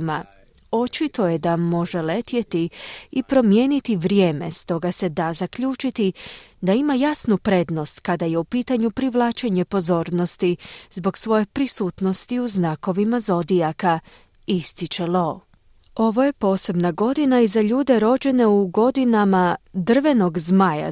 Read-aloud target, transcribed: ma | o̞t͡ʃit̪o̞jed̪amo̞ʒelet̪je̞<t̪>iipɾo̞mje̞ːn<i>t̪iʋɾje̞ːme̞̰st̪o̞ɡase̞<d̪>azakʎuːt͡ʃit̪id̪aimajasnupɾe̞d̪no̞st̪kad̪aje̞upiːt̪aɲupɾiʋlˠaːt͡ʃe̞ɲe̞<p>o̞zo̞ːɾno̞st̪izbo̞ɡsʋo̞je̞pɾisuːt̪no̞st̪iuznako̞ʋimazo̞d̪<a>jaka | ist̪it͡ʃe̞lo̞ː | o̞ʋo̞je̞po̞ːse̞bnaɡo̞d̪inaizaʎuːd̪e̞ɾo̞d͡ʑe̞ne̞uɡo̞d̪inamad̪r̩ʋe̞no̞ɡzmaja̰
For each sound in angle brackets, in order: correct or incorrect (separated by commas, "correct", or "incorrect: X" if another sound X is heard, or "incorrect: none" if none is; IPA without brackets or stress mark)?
correct, correct, correct, correct, incorrect: i